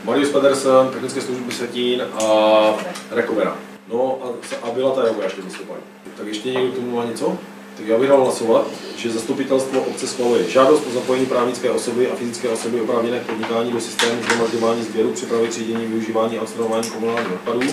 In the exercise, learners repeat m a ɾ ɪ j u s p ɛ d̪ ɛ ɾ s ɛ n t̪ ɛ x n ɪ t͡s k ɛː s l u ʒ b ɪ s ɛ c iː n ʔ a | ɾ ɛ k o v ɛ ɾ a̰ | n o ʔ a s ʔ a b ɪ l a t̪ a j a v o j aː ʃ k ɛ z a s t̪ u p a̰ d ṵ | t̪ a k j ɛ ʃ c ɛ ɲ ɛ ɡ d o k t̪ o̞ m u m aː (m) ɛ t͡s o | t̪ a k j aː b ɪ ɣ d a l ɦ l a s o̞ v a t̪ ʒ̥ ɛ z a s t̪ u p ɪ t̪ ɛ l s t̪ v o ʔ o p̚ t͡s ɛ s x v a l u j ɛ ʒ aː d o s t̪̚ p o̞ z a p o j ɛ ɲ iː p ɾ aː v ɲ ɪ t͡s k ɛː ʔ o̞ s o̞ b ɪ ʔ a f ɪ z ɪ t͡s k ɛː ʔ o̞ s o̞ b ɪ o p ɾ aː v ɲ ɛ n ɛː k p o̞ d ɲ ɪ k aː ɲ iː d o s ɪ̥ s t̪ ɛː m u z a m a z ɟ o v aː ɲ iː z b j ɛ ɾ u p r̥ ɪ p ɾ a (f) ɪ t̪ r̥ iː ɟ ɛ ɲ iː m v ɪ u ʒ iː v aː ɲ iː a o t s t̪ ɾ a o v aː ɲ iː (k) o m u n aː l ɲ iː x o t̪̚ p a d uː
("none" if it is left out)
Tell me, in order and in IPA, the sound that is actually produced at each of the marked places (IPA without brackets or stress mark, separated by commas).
ɲ, v, k